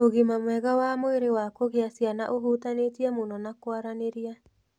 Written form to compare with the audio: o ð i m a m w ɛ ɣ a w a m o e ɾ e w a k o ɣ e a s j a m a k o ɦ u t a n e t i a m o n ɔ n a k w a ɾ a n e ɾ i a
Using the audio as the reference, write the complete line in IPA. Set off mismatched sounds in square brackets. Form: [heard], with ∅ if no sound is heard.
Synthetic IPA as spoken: o [ɣ] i m a m w ɛ ɣ a w a m o e ɾ e w a k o ɣ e a s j a [n] a [ʔ] o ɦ u t a n e t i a m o n ɔ n a k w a ɾ a n e ɾ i a

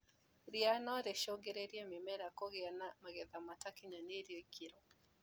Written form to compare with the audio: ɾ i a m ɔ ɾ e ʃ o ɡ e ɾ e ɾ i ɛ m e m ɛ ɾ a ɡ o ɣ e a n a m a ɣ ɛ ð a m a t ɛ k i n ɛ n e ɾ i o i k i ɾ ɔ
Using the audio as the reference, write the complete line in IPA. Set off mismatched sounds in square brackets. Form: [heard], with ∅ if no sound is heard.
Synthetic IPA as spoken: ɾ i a [n] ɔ ɾ e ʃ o ɡ e ɾ e ɾ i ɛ m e m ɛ ɾ a [k] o ɣ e a n a m a ɣ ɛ ð a m a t [a] k i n [a] n e ɾ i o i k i ɾ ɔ

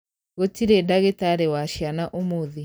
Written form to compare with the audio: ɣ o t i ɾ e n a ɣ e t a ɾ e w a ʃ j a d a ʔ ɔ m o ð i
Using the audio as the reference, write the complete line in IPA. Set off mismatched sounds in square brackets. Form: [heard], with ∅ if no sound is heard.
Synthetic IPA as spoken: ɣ o t i ɾ e [d] a ɣ e t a ɾ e w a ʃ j a [n] a ʔ [o] m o ð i

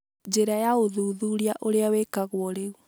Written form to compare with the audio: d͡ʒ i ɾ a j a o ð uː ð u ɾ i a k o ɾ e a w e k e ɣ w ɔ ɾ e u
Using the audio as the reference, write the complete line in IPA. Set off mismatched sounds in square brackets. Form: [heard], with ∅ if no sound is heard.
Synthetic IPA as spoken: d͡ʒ [e] ɾ a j a o ð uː ð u ɾ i a [ʔ] o ɾ e a w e k [a] ɣ w ɔ ɾ e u

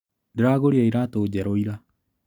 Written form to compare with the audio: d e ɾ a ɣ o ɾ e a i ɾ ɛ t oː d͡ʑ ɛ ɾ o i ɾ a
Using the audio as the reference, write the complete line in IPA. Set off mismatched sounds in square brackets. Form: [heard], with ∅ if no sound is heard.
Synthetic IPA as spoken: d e ɾ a ɣ o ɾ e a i ɾ [a] t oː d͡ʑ ɛ ɾ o i ɾ a

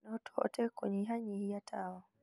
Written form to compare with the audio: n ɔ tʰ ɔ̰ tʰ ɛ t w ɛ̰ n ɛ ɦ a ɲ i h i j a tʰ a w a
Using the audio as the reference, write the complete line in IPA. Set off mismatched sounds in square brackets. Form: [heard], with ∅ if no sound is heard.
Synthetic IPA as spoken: n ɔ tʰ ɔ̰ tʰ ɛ [k] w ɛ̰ [ɲ] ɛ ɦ a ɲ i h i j a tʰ a w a

